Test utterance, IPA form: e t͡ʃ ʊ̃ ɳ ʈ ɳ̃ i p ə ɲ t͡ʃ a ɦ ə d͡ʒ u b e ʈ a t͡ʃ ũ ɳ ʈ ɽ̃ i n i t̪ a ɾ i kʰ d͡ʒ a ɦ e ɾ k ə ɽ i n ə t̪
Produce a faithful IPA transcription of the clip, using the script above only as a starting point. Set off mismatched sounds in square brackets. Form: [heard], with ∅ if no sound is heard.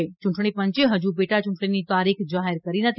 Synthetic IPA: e t͡ʃ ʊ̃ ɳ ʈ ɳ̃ i p ə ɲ t͡ʃ [e] ɦ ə d͡ʒ u b e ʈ a t͡ʃ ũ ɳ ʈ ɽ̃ i n i t̪ a ɾ i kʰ d͡ʒ a ɦ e ɾ k ə [ɾ] i n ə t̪